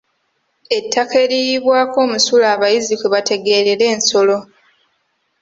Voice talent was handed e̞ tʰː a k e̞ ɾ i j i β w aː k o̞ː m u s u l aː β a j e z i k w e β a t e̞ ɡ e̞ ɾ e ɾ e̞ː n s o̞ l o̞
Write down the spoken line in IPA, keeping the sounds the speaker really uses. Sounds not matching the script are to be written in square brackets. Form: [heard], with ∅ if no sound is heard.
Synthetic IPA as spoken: e̞ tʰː a k e̞ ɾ i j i β w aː k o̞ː m u s u l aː β a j [i] z i k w e β a t e̞ ɡ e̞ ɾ e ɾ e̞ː n s o̞ l o̞